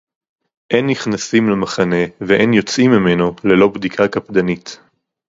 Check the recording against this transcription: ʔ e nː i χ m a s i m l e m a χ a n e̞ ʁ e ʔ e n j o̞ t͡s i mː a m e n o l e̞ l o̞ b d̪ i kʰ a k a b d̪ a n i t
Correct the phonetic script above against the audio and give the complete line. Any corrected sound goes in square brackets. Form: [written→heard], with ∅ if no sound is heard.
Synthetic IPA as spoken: ʔ e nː i χ [m→n] a s i m l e m a χ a n e̞ [ʁ→v] e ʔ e n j o̞ t͡s i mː [a→i] m e n o l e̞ l o̞ b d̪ i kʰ a k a [b→p] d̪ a n i t